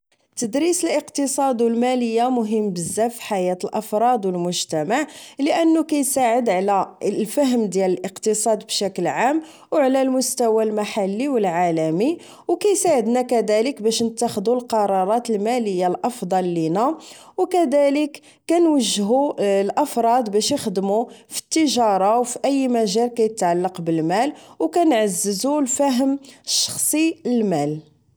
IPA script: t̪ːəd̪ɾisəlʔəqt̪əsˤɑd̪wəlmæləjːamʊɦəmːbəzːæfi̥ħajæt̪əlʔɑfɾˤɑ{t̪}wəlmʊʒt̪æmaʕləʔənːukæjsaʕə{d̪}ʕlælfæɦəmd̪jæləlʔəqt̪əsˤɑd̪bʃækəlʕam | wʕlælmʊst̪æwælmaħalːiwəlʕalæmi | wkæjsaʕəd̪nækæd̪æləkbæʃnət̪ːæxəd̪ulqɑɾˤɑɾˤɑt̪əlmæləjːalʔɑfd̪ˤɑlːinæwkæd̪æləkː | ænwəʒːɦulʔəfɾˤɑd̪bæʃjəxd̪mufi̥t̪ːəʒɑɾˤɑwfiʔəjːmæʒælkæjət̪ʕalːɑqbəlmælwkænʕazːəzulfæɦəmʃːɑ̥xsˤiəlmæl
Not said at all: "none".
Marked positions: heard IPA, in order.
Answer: d̪, d̪

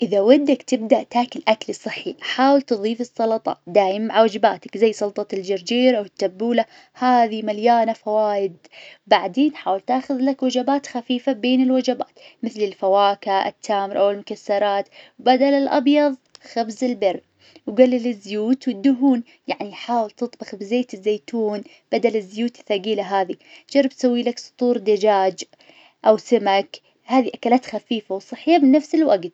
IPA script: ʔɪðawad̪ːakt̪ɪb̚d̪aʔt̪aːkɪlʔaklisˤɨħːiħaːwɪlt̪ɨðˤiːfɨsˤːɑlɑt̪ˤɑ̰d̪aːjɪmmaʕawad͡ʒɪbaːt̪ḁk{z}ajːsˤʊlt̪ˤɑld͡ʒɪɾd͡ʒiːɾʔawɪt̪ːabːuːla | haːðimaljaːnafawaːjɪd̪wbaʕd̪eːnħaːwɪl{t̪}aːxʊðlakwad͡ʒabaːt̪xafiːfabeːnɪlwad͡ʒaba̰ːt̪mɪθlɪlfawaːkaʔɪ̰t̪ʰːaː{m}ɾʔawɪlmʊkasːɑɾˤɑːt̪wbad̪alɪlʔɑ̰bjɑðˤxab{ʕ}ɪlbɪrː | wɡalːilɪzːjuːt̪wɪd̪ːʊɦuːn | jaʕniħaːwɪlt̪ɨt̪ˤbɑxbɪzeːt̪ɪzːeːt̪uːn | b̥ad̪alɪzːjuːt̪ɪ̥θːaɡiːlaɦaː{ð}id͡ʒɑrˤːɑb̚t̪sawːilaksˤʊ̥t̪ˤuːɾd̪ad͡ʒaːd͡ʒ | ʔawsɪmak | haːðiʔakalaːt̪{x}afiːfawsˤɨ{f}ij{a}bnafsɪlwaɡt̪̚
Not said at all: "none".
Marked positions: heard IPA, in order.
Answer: z, t̪, m, z, ð, x, ħ, a

